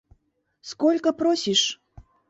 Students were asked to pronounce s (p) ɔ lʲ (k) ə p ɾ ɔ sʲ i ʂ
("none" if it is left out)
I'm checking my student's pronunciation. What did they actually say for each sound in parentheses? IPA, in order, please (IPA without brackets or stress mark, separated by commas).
k, k